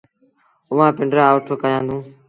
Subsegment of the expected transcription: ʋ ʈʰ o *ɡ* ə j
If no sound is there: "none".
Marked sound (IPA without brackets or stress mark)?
k